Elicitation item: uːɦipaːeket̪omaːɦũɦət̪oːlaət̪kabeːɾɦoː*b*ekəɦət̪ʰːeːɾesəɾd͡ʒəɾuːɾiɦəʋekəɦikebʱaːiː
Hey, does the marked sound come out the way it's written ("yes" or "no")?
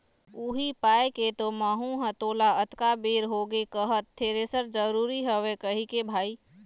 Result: no